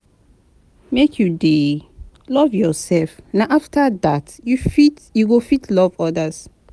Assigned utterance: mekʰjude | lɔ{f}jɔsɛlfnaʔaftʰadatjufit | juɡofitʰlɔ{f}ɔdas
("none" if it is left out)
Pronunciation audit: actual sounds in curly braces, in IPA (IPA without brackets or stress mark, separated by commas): v, v